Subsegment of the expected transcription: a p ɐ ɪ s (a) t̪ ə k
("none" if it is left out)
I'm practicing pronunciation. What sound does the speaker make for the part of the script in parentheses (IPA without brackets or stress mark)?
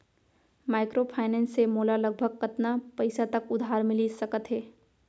a